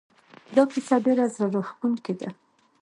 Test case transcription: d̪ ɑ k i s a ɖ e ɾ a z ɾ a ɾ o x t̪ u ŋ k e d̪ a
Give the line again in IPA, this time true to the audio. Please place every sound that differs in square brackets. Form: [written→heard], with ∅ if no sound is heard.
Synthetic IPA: d̪ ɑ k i s a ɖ e ɾ a z ɾ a ɾ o x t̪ u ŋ k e d̪ a